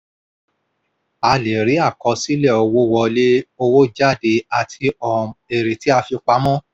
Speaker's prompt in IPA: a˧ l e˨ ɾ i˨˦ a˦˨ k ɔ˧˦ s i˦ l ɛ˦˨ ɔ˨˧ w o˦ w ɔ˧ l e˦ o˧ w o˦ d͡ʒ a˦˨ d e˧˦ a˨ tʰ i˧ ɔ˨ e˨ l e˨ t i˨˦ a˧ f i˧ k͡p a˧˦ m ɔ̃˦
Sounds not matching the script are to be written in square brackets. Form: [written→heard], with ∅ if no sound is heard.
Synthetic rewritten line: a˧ l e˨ ɾ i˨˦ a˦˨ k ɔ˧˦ s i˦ l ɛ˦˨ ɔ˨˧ w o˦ w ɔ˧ l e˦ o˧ w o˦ d͡ʒ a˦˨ d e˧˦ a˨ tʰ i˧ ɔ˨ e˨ [l→ɾ] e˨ t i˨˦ a˧ f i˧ k͡p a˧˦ m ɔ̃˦